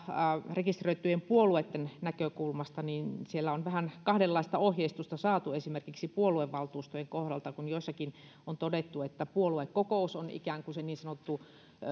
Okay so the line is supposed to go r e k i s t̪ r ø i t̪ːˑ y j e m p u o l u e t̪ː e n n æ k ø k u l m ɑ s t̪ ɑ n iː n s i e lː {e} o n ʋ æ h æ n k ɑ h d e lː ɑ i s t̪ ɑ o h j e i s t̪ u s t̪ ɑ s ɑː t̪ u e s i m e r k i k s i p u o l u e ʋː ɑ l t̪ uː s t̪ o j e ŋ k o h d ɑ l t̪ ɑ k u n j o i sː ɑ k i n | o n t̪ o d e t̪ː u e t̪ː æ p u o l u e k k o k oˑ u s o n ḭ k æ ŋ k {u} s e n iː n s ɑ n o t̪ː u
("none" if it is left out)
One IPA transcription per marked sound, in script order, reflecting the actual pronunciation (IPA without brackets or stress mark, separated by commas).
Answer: æ, u